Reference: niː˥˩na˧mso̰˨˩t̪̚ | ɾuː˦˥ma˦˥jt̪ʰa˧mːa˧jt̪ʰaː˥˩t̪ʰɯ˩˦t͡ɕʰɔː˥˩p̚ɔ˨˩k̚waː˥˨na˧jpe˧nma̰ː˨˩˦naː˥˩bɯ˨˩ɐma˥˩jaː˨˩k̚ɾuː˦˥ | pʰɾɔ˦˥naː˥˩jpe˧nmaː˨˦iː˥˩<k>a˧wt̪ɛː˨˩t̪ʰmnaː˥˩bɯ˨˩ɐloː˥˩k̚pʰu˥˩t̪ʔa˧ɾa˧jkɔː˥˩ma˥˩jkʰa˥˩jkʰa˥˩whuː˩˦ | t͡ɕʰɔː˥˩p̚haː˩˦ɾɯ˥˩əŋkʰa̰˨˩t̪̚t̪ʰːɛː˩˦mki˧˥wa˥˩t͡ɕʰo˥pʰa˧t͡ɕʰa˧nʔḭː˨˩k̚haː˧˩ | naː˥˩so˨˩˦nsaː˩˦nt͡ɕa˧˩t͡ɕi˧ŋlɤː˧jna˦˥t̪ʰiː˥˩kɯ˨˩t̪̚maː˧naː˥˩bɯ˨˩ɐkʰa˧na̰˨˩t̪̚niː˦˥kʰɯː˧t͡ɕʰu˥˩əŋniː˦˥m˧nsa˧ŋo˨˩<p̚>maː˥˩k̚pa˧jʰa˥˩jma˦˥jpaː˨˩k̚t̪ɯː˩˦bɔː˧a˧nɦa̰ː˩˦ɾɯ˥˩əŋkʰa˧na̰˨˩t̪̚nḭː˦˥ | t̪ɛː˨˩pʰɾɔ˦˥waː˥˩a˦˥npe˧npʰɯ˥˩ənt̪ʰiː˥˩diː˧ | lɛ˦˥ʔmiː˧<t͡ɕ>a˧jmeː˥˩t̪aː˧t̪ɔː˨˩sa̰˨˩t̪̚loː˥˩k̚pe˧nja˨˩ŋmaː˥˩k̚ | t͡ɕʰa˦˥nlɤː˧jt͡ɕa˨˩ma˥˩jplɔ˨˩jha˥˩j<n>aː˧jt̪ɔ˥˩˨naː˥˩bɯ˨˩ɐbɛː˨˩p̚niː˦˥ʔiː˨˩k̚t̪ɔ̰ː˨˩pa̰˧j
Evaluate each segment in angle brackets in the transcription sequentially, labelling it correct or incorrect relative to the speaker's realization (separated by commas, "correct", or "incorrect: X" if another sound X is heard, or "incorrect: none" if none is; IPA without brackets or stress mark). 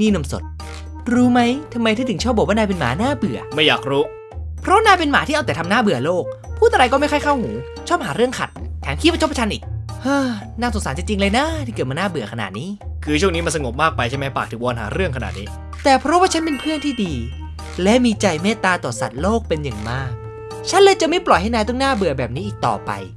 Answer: incorrect: ʔ, correct, correct, correct